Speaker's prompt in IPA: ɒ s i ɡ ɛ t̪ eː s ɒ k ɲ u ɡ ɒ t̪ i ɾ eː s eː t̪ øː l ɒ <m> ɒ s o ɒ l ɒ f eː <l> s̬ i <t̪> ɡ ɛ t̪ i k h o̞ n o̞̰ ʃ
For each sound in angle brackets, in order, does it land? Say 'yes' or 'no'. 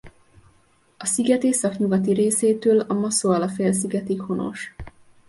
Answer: yes, yes, no

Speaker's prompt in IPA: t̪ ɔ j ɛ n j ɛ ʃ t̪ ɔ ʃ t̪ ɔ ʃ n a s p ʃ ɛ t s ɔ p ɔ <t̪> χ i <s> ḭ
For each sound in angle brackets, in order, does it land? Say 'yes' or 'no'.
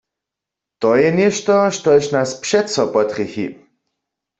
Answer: yes, no

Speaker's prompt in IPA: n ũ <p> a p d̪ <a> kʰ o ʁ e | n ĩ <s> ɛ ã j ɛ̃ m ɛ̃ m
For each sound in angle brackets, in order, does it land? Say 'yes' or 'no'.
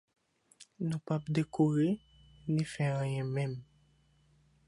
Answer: yes, no, no

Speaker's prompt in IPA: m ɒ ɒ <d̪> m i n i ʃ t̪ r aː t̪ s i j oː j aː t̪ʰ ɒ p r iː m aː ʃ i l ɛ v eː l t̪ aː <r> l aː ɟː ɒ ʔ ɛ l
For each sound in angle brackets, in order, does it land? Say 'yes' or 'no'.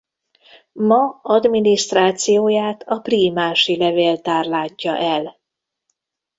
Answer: yes, yes

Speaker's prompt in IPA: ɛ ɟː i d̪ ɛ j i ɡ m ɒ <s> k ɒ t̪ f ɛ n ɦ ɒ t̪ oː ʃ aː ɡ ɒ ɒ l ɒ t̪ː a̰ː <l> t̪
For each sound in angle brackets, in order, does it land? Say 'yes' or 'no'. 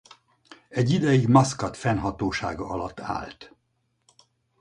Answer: yes, yes

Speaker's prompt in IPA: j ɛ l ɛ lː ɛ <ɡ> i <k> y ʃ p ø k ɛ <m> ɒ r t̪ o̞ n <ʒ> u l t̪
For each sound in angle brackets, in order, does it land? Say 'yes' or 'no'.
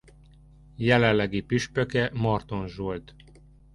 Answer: yes, no, yes, yes

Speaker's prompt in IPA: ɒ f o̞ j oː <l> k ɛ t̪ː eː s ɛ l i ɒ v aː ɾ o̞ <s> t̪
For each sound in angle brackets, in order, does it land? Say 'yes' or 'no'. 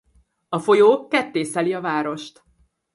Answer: no, no

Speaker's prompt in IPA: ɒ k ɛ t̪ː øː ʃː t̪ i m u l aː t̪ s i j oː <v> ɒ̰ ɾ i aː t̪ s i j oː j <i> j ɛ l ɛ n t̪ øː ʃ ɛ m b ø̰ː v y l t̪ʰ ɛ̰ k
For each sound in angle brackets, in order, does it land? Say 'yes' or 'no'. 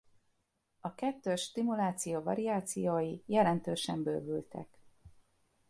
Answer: yes, yes

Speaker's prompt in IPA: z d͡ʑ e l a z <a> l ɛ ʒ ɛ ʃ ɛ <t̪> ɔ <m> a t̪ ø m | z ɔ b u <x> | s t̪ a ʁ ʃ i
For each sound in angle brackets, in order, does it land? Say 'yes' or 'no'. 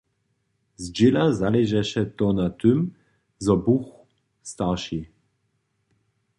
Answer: yes, yes, no, yes

